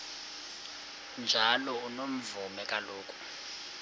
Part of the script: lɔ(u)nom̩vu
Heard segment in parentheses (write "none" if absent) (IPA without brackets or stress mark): u